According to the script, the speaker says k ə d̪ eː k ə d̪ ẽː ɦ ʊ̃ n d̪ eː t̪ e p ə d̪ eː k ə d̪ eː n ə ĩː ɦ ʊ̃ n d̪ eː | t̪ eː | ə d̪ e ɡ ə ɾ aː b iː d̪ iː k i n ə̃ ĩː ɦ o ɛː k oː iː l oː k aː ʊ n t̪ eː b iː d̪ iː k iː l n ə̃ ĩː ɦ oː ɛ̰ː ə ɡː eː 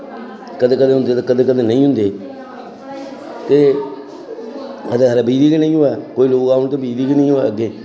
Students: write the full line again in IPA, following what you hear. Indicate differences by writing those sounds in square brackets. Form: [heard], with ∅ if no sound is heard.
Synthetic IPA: k ə d̪ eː k ə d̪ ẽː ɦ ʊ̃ n d̪ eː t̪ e [k] ə d̪ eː k ə d̪ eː n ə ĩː ɦ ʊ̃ n d̪ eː | t̪ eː | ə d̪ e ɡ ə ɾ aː b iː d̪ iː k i n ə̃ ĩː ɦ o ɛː k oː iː l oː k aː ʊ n t̪ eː b iː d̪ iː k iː [∅] n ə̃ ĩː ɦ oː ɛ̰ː ə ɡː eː